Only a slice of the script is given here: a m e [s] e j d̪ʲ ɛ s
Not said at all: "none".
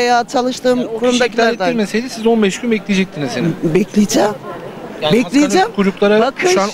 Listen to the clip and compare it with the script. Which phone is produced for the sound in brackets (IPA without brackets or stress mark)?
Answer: s